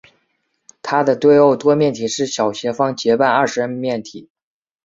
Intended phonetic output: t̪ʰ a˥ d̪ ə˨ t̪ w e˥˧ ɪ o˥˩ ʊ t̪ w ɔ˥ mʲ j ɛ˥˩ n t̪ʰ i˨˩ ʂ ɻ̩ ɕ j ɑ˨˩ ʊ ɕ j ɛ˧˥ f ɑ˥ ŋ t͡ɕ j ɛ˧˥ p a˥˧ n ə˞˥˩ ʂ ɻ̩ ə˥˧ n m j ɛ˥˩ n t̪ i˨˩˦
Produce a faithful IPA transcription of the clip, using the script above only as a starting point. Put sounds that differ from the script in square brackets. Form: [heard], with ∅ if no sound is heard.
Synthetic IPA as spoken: t̪ʰ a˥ d̪ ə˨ t̪ w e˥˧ ɪ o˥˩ ʊ t̪ w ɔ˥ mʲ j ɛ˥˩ n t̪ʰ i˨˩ ʂ ɻ̩ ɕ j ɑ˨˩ ʊ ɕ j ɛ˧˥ f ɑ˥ ŋ t͡ɕ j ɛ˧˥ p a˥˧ n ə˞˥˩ ʂ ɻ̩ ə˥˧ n m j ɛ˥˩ n [t̪ʰ] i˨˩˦